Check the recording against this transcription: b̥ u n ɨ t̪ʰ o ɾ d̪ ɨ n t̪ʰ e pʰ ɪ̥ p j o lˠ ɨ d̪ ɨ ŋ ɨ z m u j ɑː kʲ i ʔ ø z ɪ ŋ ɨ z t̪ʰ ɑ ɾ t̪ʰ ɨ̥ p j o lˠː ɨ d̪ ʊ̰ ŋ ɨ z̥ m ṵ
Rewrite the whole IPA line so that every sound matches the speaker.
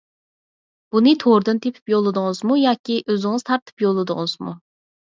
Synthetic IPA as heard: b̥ u n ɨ t̪ʰ o ɾ d̪ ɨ n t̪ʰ e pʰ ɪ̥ p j o lˠ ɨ d̪ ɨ ŋ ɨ z m u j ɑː kʲ i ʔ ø z ɪ ŋ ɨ z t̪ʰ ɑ ɾ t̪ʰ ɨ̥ p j o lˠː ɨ d̪ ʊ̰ ŋ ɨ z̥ m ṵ